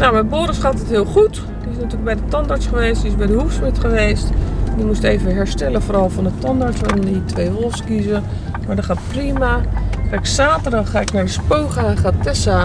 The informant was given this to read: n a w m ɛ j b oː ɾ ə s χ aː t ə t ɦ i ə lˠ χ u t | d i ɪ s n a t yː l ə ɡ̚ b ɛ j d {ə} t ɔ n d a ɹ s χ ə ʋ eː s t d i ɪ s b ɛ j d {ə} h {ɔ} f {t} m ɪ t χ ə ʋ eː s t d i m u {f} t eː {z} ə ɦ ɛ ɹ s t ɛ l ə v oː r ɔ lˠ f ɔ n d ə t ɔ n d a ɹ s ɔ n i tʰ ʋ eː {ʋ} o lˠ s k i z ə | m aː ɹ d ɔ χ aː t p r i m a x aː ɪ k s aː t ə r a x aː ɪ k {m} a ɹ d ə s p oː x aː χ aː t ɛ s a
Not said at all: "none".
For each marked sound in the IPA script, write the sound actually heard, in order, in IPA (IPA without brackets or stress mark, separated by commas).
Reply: ə, ə, u, s, s, v, ʋ, n